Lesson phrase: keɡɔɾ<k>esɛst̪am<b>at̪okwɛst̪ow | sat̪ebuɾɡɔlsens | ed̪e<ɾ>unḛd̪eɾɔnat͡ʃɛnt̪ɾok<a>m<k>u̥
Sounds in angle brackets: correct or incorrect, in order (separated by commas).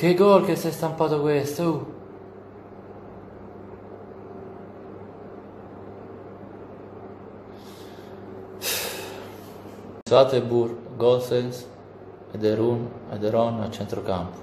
correct, incorrect, correct, correct, incorrect